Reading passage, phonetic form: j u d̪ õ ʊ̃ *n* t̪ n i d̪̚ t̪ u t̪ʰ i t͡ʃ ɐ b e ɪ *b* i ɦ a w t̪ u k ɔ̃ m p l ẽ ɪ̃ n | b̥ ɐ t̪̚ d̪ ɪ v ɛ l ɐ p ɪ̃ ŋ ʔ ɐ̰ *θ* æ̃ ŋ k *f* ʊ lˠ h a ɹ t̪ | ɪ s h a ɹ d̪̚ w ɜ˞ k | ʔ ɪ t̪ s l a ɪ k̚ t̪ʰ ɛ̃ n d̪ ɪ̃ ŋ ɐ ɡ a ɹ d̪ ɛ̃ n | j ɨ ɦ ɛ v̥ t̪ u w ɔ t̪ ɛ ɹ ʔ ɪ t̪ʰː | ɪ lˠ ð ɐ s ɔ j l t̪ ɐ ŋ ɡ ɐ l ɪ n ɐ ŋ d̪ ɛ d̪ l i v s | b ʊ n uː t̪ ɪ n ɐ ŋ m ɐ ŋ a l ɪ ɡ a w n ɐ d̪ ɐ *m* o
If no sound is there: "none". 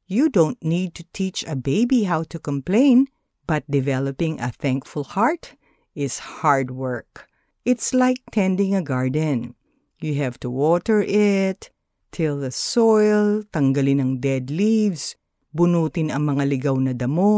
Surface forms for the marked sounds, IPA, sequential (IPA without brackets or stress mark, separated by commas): n, b, θ, f, m